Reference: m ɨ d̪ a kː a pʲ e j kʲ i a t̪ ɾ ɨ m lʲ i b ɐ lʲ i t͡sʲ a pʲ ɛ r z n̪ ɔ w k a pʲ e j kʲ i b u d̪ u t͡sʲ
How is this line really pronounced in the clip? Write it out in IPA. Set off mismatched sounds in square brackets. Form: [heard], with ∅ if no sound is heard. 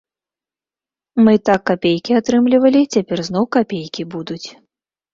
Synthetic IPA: m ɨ [t̪] a kː a pʲ e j kʲ i a t̪ ɾ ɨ m lʲ i [v] ɐ lʲ i t͡sʲ a pʲ ɛ r z n̪ ɔ w k a pʲ e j kʲ i b u d̪ u t͡sʲ